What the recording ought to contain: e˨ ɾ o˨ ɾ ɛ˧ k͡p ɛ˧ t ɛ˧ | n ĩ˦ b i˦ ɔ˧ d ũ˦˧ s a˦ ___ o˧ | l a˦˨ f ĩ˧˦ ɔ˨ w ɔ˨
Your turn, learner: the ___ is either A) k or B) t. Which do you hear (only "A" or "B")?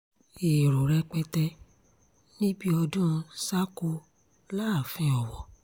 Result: A